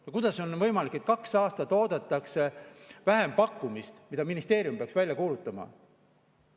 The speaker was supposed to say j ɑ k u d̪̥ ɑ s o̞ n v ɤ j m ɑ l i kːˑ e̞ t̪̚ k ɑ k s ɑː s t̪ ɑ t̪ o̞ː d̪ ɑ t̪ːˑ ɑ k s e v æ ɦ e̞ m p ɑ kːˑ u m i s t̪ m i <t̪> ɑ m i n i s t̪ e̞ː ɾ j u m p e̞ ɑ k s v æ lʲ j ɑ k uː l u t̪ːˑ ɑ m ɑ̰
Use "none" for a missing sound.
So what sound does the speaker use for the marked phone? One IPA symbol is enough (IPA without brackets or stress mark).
d̪